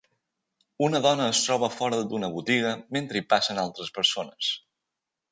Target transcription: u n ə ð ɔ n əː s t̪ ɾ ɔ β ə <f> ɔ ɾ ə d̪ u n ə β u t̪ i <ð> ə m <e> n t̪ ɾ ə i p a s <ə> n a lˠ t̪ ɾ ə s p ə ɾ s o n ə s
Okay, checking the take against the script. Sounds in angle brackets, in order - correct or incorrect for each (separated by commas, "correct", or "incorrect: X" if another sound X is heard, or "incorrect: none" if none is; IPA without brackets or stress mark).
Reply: correct, incorrect: ɣ, correct, correct